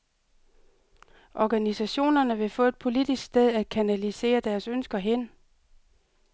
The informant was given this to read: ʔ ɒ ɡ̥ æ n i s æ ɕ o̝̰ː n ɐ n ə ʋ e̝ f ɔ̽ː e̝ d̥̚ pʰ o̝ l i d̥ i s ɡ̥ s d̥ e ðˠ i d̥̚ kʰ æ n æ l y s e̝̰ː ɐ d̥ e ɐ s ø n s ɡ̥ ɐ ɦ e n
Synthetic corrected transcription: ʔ ɒ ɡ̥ æ n i s æ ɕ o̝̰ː n ɐ n ə ʋ e̝ f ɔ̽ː e̝ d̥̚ pʰ o̝ l i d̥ i s ɡ̥ s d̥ e ðˠ æ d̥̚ kʰ æ n æ l i s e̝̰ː ɐ d̥ æ ɐ s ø n s ɡ̥ ɐ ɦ e n